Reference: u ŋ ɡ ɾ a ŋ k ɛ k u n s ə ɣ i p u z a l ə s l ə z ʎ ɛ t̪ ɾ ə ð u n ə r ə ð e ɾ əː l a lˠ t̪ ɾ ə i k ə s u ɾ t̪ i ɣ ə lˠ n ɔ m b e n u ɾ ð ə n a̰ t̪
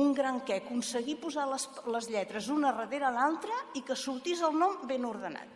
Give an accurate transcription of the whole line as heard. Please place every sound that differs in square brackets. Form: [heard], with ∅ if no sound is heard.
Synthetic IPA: u ŋ ɡ ɾ a ŋ k ɛ k u n s ə ɣ i p u z a l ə s l ə z ʎ ɛ t̪ ɾ ə [z] u n ə r ə ð e ɾ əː l a lˠ t̪ ɾ ə i k ə s u ɾ t̪ i [z] ə lˠ n ɔ m b e n u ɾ ð ə n a̰ t̪